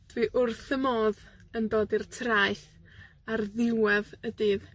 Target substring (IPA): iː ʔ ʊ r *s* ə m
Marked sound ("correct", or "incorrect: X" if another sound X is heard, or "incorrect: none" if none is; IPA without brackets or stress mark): incorrect: θ